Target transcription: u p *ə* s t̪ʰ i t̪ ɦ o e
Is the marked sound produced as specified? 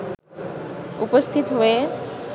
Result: yes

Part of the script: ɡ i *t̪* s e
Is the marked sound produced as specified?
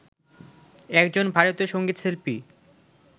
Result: yes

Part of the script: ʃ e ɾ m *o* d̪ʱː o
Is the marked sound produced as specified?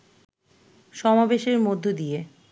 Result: yes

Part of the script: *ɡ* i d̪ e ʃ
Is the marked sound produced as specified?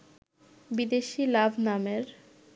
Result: no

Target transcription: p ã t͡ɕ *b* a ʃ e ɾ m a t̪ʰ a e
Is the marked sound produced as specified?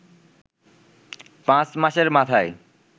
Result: no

